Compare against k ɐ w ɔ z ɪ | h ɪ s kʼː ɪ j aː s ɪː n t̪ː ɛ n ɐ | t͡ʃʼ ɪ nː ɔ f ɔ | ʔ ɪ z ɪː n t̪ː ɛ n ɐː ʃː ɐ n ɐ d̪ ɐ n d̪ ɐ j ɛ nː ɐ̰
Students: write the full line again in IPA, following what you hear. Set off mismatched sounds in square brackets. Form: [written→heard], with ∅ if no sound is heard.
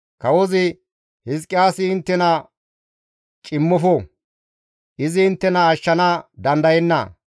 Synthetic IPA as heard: k ɐ w ɔ z ɪ | h ɪ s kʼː ɪ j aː s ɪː n t̪ː ɛ n ɐ | t͡ʃʼ ɪ [nː→mː] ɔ f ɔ | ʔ ɪ z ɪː n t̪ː ɛ n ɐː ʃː ɐ n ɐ d̪ ɐ n d̪ ɐ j ɛ nː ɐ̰